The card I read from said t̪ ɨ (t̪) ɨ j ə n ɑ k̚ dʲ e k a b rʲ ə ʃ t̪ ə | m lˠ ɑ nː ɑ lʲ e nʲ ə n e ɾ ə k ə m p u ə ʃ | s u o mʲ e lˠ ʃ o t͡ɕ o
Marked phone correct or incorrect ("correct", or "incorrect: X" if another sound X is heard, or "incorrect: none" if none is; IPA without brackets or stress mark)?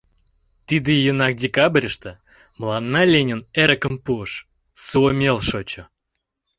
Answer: incorrect: d̪